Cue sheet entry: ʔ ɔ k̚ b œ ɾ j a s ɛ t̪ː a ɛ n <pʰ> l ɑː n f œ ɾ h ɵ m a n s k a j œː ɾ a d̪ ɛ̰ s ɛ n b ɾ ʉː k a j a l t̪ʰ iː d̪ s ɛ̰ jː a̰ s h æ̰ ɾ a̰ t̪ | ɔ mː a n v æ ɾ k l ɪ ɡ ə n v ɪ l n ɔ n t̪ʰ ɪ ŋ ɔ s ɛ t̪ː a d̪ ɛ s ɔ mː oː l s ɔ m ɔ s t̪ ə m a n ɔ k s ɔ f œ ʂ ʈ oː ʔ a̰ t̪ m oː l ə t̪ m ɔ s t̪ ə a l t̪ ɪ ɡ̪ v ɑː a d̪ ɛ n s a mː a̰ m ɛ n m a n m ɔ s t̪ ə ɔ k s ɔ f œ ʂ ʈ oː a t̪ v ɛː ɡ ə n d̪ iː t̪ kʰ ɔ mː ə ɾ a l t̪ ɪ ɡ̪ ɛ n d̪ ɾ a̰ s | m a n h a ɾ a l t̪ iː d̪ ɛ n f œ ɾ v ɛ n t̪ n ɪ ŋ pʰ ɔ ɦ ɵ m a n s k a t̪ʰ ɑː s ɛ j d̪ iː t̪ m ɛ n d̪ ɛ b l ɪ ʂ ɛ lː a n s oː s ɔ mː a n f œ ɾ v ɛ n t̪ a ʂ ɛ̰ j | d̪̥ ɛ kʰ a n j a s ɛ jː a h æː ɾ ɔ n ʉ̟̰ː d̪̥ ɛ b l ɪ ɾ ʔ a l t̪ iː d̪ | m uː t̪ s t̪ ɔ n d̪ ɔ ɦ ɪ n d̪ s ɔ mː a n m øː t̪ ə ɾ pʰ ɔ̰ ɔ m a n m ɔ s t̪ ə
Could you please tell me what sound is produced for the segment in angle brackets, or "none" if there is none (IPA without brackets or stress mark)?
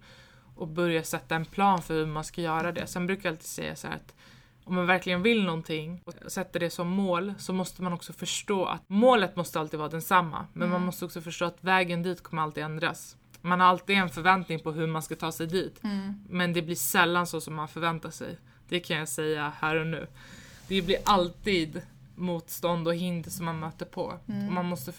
pʰ